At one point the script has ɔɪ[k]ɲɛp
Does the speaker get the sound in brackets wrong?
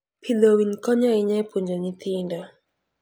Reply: yes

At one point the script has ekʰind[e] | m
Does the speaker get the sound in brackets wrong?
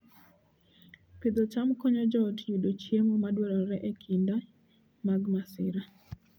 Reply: yes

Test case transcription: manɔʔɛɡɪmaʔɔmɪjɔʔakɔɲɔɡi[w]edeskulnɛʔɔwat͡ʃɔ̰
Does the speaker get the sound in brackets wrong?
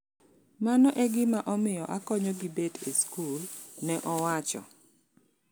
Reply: yes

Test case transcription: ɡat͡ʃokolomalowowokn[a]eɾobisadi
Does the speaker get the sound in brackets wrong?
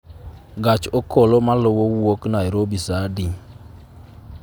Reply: no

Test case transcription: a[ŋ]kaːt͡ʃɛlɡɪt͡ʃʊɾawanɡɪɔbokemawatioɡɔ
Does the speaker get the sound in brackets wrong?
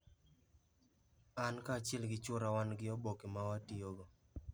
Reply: yes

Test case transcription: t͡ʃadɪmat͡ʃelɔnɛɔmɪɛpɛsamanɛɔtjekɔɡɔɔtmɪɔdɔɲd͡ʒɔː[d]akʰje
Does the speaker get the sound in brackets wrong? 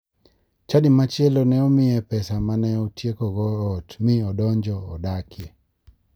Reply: no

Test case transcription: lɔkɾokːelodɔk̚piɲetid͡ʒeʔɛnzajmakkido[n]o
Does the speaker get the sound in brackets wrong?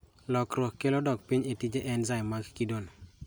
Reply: no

